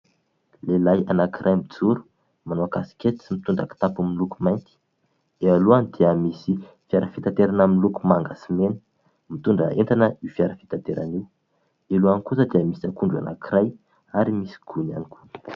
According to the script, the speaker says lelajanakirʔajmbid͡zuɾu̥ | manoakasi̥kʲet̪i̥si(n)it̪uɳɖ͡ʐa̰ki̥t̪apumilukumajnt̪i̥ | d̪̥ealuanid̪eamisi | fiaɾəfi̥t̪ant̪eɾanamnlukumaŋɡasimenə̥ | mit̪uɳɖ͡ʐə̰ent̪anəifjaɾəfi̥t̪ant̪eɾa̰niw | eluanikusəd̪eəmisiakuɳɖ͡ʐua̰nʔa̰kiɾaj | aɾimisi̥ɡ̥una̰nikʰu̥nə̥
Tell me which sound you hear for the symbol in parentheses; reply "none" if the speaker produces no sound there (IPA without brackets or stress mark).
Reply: m